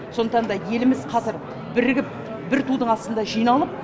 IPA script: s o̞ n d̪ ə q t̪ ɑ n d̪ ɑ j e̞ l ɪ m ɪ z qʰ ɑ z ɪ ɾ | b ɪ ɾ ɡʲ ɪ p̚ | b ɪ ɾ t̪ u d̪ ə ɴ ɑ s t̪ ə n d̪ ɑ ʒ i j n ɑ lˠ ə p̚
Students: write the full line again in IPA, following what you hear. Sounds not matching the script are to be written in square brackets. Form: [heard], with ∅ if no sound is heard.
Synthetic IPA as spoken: s o̞ n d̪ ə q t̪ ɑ n d̪ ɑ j e̞ l ɪ m ɪ z qʰ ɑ z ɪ ɾ | b ɪ ɾ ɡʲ ɪ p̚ | b ɪ ɾ t̪ u d̪ ə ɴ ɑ s t̪ ə n d̪ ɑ ʒ i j n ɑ lˠ ə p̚